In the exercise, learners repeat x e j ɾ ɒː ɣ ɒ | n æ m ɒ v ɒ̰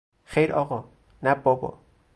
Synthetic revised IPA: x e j ɾ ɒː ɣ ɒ | n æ b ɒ b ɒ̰